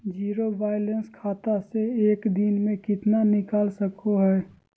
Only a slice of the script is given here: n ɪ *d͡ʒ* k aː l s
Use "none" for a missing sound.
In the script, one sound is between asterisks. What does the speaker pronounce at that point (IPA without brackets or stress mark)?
none